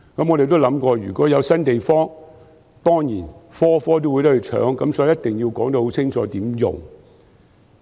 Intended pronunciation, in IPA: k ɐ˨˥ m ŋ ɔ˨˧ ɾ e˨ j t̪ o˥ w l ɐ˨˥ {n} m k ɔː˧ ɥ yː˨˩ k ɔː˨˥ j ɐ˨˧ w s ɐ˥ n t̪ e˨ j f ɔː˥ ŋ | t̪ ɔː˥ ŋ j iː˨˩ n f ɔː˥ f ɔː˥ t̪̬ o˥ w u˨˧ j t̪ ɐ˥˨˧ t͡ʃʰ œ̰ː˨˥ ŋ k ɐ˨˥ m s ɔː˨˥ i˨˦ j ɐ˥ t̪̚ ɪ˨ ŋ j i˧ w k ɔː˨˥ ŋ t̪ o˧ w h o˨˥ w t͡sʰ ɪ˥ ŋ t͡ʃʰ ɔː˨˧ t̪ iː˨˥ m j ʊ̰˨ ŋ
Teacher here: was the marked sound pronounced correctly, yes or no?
no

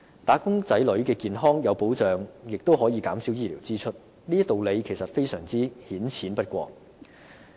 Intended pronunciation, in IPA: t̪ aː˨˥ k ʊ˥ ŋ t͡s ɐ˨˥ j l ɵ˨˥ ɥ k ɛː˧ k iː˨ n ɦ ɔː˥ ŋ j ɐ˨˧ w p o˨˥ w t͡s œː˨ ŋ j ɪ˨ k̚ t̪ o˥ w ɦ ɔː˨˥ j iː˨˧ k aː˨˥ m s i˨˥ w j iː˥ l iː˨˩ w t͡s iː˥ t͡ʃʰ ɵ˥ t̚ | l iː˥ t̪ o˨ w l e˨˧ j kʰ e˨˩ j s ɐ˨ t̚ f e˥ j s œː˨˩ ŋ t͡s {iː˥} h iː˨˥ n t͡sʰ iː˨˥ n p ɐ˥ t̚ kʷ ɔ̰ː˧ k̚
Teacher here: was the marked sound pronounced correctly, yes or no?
yes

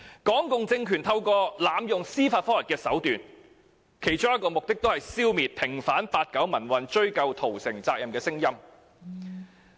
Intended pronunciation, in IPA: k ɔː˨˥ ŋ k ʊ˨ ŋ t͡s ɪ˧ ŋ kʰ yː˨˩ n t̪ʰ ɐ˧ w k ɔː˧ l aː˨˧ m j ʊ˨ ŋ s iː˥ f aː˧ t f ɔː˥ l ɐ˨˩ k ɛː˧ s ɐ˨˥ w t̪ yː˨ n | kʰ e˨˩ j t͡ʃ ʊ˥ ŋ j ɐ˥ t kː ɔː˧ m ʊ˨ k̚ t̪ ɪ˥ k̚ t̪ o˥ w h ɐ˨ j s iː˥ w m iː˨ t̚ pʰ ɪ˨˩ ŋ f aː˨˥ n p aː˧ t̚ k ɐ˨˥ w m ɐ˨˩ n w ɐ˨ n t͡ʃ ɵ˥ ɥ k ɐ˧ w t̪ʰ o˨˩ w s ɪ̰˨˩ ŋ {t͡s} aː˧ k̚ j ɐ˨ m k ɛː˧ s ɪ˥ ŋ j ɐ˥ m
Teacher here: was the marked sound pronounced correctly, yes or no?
yes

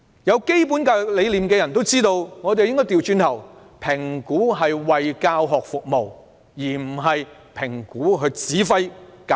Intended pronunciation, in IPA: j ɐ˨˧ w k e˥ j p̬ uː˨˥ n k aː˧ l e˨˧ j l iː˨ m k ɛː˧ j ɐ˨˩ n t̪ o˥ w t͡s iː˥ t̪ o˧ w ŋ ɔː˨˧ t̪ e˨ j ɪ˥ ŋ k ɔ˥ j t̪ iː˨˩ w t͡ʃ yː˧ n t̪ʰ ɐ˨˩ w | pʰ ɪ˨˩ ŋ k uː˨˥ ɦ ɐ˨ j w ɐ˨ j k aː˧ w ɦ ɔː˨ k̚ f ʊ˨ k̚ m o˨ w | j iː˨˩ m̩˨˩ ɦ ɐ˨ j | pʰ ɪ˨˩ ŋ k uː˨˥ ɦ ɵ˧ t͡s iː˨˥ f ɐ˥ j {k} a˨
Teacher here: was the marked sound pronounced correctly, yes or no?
yes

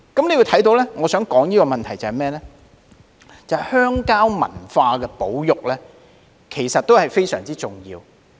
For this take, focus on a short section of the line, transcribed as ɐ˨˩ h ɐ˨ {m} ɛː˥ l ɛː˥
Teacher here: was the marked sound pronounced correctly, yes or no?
yes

